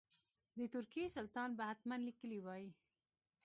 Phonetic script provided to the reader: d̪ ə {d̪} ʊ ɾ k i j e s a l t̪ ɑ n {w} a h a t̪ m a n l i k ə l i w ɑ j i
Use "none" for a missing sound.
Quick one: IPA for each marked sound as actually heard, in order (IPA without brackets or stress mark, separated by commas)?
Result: t̪, b